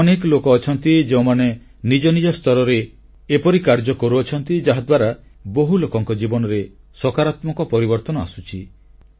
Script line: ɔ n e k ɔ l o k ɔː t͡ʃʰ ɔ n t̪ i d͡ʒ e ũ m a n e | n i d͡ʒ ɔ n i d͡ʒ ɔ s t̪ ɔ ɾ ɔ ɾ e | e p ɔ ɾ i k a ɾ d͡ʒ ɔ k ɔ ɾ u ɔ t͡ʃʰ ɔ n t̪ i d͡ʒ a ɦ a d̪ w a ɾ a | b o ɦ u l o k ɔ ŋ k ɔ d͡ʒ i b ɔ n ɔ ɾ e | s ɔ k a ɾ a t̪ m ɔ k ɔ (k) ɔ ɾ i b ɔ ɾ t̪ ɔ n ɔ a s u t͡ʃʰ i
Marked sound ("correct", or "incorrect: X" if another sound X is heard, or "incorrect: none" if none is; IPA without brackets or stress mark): incorrect: p